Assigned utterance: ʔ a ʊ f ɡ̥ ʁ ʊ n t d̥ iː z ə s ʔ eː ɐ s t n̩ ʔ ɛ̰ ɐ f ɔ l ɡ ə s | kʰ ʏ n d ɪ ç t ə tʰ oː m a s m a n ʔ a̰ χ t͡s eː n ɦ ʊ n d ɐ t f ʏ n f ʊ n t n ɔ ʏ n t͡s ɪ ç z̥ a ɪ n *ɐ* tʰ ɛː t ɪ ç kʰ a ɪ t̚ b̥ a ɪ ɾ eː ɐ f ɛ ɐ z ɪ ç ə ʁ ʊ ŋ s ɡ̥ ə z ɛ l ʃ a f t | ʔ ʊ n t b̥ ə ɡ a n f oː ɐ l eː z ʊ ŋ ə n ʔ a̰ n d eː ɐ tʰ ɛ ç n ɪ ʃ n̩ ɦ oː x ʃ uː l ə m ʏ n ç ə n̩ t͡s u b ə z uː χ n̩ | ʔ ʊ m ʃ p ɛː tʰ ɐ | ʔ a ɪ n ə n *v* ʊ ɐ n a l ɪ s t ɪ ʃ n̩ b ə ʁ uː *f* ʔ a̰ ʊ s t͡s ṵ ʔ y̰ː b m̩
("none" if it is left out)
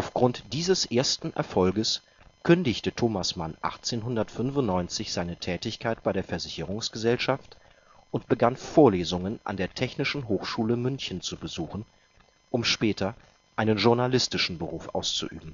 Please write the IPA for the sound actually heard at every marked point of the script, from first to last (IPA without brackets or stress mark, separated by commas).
ə, ʒ, f